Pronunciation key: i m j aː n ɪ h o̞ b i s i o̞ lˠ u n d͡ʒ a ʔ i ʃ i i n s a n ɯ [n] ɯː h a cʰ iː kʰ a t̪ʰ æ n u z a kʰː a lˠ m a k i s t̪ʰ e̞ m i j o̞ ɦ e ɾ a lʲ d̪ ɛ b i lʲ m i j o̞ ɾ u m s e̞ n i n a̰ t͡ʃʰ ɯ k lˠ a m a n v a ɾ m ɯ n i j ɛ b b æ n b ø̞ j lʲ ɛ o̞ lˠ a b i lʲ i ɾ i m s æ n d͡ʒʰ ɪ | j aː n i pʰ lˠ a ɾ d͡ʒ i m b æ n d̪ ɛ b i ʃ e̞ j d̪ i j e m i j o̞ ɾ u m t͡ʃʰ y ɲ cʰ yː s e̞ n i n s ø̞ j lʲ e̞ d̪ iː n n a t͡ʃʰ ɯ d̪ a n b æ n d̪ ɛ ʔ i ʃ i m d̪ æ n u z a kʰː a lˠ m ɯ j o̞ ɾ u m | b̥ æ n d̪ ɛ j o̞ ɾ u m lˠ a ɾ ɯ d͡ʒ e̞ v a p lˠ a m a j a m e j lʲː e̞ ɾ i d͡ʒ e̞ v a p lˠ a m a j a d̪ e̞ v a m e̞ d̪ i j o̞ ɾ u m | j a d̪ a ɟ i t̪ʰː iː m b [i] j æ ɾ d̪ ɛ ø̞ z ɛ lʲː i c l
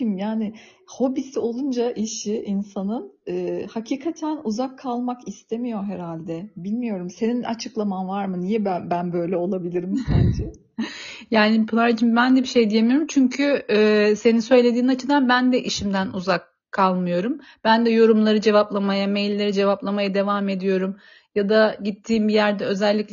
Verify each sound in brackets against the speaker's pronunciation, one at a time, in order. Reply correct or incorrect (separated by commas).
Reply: correct, correct